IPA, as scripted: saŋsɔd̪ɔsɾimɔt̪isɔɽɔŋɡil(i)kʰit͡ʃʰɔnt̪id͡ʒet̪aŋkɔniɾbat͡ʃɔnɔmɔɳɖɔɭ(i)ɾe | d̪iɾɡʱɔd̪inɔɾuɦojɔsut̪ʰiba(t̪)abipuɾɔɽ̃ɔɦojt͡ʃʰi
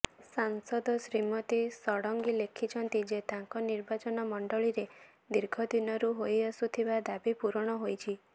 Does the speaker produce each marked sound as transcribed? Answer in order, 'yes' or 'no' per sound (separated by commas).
no, yes, no